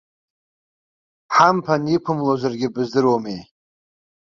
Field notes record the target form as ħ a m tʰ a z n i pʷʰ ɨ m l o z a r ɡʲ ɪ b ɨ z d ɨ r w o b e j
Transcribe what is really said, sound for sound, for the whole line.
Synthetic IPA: ħ a m pʰ a n i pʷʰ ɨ m l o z a r ɡʲ ɪ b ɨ z d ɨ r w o m e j